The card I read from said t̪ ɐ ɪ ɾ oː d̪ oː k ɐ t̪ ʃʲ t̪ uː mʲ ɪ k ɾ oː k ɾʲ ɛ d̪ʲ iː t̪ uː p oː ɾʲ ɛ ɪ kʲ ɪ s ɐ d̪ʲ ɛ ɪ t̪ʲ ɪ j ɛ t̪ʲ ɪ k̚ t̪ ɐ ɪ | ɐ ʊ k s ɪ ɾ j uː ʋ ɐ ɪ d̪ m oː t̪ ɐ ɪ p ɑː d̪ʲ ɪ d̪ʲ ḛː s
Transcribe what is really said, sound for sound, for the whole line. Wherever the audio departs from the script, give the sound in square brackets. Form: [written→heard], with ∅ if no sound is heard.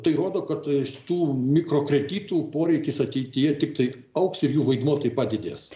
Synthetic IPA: t̪ ɐ ɪ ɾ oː d̪ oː k ɐ t̪ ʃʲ t̪ uː mʲ ɪ k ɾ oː k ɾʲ ɛ d̪ʲ iː t̪ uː p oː ɾʲ ɛ ɪ kʲ ɪ s ɐ [d̪ʲ→t̪ʲ] ɛ ɪ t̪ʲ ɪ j ɛ t̪ʲ ɪ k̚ t̪ ɐ ɪ | ɐ ʊ k s ɪ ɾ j uː ʋ ɐ ɪ d̪ m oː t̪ ɐ ɪ p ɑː d̪ʲ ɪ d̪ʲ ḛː s